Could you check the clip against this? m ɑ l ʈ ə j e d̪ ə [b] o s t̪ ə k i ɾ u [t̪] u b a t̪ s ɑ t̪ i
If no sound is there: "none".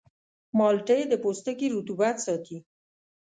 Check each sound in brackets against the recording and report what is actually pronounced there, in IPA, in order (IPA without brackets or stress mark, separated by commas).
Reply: p, t̪